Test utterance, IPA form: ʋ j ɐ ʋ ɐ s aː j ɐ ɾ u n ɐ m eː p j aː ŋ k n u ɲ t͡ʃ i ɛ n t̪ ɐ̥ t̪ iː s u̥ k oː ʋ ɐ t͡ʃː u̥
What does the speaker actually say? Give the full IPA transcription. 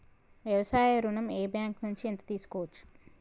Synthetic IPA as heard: ʋ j ɐ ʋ ɐ s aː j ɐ ɾ u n ɐ m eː b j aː ŋ k n u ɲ t͡ʃ i e n t̪ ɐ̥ t̪ iː s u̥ k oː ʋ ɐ t͡ʃː u̥